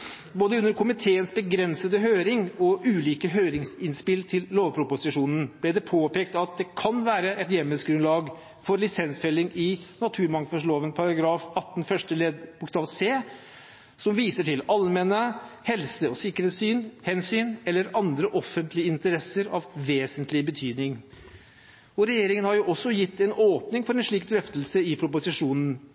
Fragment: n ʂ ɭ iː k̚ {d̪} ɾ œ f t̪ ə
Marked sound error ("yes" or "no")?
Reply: no